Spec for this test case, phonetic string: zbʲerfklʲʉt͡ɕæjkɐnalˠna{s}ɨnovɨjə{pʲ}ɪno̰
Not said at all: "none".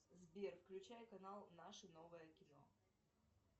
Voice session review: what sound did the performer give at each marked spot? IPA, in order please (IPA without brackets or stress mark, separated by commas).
ʂ, kʲ